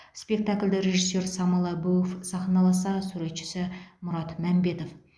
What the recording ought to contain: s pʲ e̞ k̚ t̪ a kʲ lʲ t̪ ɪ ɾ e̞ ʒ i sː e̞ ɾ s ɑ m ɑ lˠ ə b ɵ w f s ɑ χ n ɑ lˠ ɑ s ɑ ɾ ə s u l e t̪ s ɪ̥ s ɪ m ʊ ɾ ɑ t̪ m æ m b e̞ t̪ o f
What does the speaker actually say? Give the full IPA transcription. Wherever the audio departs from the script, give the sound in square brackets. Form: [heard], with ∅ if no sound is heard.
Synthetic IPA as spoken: s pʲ e̞ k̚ t̪ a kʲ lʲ [d̪] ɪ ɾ e̞ ʒ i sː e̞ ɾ s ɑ m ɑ lˠ [ɑ] b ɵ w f s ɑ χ n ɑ lˠ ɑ s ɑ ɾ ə s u [ɾ] e t̪ [ʃ] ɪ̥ s ɪ m ʊ ɾ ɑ t̪ m æ m b e̞ t̪ o f